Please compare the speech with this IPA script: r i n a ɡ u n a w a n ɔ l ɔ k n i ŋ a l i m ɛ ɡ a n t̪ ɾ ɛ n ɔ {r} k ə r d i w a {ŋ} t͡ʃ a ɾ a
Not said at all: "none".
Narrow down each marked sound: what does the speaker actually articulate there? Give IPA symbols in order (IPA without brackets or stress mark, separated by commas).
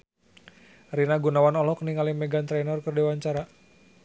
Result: r, ɲ